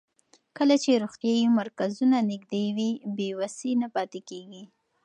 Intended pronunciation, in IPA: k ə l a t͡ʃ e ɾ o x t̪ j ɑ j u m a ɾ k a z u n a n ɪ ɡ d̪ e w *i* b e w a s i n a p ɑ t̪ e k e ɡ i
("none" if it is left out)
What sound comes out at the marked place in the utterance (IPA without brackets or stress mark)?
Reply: i